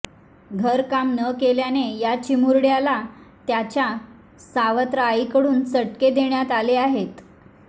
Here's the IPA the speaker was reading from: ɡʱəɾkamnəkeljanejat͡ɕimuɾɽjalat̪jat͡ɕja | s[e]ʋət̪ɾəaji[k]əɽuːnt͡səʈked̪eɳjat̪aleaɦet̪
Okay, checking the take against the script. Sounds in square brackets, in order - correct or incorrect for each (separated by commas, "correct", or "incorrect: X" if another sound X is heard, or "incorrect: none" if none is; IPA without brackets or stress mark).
incorrect: a, correct